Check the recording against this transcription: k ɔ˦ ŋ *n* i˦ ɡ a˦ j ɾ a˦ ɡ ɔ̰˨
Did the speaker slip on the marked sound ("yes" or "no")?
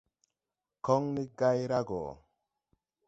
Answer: no